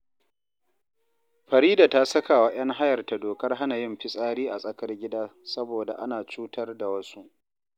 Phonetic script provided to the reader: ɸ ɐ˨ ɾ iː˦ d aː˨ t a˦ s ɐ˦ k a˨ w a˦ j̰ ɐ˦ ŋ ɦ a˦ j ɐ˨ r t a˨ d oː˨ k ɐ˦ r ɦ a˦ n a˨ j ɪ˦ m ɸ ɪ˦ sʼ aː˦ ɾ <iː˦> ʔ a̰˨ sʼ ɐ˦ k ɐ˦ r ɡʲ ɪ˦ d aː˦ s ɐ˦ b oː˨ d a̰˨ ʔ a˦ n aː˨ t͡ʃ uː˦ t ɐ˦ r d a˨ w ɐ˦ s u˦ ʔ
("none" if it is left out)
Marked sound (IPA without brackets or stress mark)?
iː˦